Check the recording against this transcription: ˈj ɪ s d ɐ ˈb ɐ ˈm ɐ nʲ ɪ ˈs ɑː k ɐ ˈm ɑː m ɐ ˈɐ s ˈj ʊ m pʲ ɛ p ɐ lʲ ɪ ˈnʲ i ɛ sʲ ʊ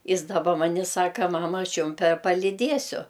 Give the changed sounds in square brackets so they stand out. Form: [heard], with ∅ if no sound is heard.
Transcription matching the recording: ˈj ɪ s d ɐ ˈb ɐ ˈm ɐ nʲ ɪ ˈs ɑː k ɐ ˈm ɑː m ɐ ˈɐ [ʃ] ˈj ʊ m pʲ ɛ p ɐ lʲ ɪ [ˈdʲ] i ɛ sʲ ʊ